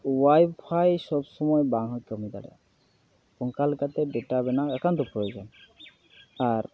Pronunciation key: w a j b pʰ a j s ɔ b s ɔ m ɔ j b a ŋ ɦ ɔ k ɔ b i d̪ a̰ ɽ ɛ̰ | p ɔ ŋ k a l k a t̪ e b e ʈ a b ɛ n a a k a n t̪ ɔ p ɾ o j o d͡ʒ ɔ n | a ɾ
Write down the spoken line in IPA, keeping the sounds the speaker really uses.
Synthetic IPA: w a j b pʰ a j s ɔ b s ɔ m ɔ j b a ŋ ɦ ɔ k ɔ m i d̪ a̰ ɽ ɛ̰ | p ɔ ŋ k a l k a t̪ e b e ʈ a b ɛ n a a k a n t̪ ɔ p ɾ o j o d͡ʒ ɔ n | a ɾ